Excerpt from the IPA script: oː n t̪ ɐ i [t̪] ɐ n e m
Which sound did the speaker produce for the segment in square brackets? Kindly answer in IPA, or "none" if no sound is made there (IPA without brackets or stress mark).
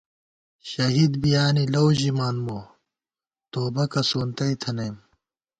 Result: t̪ʰ